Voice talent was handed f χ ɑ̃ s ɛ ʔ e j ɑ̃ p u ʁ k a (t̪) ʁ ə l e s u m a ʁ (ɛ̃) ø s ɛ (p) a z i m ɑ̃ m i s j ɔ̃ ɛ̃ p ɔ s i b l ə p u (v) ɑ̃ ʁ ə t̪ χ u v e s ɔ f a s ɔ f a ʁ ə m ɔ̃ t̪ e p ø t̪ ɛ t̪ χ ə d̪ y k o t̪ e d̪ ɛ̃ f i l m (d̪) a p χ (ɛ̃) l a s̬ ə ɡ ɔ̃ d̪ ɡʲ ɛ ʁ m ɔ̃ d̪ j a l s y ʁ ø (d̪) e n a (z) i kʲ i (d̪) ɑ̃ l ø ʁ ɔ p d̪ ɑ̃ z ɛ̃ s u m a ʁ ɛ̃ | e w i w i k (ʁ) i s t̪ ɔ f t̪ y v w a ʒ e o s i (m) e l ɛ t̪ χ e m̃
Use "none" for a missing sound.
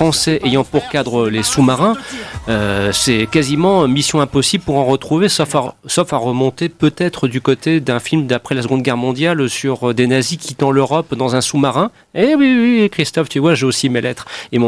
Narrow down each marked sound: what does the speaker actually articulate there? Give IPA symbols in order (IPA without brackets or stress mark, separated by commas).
d̪, ɛ̃, k, ʁ, d̪, ɛ, d̪, z, t̪, χ, m